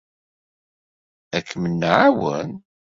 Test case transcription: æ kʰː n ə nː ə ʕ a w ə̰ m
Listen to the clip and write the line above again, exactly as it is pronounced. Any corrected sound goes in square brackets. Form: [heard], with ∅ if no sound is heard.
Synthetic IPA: æ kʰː [m] ə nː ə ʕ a w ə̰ [n]